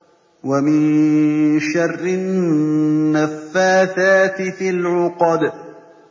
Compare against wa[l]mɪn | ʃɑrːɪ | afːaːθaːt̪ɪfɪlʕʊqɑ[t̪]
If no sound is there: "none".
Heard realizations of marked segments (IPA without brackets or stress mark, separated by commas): none, d̪